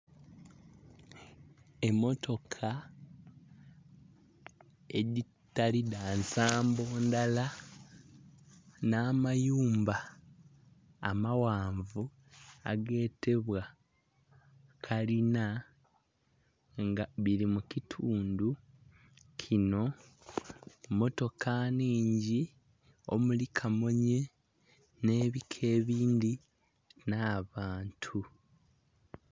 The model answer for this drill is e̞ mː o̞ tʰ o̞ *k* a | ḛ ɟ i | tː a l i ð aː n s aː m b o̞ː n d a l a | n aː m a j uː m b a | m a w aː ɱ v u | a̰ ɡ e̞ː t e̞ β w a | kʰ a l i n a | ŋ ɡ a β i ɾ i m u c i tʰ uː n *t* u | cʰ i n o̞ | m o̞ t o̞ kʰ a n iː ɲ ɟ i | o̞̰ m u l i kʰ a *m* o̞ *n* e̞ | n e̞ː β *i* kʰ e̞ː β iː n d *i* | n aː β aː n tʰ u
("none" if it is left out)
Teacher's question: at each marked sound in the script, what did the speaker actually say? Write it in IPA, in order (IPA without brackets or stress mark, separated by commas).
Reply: kʰ, d, m, ɲ, i, i